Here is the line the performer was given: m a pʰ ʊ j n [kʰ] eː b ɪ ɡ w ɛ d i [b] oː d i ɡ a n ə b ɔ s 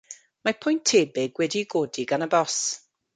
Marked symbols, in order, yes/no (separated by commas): no, no